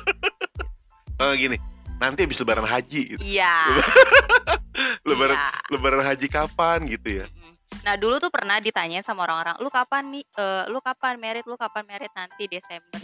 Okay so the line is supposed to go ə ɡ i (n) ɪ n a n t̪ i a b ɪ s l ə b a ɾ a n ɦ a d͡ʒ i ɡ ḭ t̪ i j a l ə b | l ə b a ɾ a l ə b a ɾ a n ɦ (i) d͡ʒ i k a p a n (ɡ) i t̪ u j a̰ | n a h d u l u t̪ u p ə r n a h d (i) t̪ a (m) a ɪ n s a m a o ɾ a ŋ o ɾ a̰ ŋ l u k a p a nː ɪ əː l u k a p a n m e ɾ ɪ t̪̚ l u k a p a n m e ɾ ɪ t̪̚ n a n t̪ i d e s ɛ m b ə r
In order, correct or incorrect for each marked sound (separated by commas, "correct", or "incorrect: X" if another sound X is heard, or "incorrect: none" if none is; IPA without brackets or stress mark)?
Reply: correct, incorrect: a, correct, correct, incorrect: ɲ